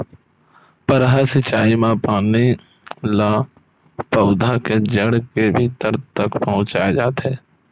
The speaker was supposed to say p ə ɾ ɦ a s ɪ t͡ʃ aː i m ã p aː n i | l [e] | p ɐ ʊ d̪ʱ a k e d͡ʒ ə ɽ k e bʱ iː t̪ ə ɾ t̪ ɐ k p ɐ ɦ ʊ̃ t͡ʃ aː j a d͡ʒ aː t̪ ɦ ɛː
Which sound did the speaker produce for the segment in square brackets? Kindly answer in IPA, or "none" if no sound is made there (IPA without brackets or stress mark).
a